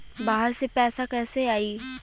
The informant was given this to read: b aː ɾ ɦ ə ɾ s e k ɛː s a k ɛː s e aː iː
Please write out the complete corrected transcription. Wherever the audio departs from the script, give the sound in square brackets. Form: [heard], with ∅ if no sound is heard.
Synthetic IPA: b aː [∅] ɦ ə ɾ s e [p] ɛː s a k ɛː s e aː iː